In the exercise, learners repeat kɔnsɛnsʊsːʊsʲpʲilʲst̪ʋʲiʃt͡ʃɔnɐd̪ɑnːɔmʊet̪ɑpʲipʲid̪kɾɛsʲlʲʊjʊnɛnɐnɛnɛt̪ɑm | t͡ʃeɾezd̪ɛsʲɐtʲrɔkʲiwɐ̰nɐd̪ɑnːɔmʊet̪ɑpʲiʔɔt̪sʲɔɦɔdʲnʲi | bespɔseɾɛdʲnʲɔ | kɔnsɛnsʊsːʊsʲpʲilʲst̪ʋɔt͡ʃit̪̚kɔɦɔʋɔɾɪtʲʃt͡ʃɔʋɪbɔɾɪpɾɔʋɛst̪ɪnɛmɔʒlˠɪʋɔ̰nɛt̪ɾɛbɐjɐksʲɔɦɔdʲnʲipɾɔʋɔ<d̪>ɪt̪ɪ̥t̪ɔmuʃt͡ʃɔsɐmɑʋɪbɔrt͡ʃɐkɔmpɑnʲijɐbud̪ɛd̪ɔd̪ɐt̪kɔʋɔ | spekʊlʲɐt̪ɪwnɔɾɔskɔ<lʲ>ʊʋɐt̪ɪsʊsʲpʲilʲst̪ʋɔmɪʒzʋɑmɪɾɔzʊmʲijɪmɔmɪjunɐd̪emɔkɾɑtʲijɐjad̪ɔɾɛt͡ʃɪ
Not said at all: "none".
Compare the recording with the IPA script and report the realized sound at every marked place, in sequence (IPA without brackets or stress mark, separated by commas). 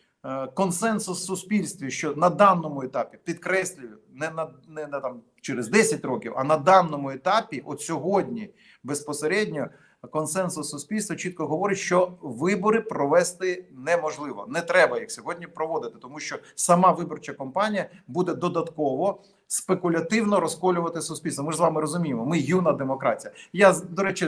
d̪, lʲ